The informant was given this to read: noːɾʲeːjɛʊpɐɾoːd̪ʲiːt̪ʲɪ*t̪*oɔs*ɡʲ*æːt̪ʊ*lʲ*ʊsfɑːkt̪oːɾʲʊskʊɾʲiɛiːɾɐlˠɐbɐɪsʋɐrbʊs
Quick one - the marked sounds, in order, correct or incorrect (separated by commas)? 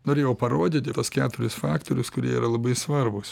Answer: correct, incorrect, incorrect